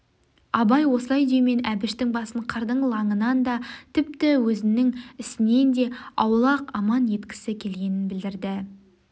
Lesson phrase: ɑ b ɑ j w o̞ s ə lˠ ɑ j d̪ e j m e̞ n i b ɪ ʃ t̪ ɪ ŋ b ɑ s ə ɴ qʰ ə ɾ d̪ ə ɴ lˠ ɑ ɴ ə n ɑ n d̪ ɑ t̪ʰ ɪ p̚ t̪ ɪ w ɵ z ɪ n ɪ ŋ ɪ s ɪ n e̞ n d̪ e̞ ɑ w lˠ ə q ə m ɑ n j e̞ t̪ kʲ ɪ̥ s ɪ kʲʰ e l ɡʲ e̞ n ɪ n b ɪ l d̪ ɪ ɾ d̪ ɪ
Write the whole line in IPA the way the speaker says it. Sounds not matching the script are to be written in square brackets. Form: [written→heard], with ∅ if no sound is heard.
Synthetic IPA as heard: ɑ b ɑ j w o̞ s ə lˠ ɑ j d̪ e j m e̞ n [i→æ] b ɪ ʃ t̪ ɪ ŋ b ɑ s ə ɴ qʰ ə ɾ d̪ ə ɴ lˠ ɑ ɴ ə n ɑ n d̪ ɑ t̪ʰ ɪ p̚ t̪ ɪ w ɵ z ɪ n ɪ ŋ ɪ s ɪ n e̞ n d̪ e̞ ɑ w lˠ [ə→ɑ] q [ə→ɑ] m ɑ n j e̞ t̪ kʲ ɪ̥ s ɪ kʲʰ e l ɡʲ e̞ n ɪ n b ɪ l d̪ ɪ ɾ d̪ ɪ